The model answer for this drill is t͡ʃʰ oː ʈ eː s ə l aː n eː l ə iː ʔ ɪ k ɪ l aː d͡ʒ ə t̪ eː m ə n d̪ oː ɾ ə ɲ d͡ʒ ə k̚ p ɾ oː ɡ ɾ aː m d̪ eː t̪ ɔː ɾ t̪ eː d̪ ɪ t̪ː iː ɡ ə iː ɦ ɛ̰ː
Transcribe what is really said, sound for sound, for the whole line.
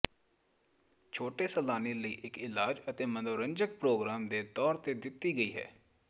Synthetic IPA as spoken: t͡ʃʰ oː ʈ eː s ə l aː n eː l ə iː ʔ ɪ k ɪ l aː d͡ʒ ə t̪ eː m ə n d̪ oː ɾ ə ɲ d͡ʒ ə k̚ p ɾ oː ɡ ɾ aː m d̪ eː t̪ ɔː ɾ t̪ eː d̪ ɪ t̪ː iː ɡ ə iː ɦ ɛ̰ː